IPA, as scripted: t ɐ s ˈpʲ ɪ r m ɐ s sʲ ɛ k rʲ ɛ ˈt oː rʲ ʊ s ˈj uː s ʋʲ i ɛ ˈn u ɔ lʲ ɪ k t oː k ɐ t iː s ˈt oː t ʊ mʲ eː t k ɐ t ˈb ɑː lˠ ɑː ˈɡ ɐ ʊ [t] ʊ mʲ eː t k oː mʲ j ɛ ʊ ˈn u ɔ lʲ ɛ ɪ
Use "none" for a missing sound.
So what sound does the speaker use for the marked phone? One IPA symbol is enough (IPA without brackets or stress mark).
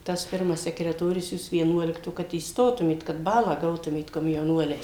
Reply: t